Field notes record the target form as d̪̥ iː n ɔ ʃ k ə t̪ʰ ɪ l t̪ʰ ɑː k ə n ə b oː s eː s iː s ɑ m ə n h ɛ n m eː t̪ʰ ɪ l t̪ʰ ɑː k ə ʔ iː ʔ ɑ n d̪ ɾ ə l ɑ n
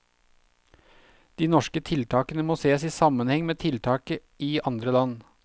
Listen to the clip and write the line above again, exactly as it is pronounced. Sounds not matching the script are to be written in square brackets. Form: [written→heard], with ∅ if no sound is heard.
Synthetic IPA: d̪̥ iː n ɔ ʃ k ə t̪ʰ ɪ l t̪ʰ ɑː k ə n ə [b→m] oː s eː s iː s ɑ m ə n h ɛ [n→ŋ] m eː t̪ʰ ɪ l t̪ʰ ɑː k ə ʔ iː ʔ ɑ n d̪ ɾ ə l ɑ n